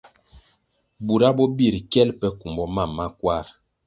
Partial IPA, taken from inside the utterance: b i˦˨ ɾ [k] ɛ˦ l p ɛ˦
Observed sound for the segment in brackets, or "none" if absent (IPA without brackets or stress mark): k